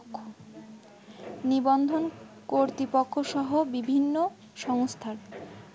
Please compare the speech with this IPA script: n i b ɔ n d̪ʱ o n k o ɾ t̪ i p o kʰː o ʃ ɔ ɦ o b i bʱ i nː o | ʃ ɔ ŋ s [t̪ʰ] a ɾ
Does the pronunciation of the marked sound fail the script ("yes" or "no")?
no